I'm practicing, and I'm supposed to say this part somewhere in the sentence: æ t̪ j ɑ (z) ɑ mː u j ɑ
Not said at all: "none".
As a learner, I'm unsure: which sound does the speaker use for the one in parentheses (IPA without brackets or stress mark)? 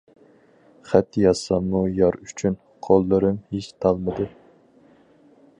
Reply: s